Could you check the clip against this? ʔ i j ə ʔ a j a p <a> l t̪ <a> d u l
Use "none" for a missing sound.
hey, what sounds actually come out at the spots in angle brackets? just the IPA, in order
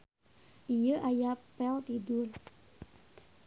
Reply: ɛ, i

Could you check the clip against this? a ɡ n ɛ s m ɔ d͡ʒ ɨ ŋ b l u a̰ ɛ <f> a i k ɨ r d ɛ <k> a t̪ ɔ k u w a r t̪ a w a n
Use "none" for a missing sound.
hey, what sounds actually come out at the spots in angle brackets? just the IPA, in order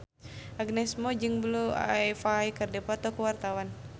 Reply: f, p

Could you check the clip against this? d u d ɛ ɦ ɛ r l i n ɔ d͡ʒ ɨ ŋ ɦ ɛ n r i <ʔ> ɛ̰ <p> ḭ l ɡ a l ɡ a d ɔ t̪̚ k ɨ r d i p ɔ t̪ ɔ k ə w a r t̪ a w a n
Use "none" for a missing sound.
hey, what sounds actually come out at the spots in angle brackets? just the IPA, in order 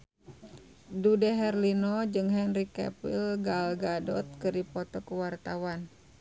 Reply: k, p

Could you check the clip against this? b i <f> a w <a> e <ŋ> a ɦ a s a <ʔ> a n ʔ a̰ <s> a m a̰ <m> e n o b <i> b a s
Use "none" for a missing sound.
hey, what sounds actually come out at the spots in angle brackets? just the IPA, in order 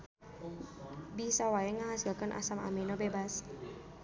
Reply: s, a, ŋ, k, s, m, e

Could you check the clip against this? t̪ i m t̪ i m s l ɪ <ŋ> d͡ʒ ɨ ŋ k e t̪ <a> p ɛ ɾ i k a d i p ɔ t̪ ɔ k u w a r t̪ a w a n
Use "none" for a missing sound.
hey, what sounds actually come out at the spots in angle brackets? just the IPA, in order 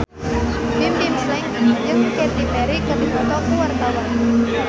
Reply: ŋ, i

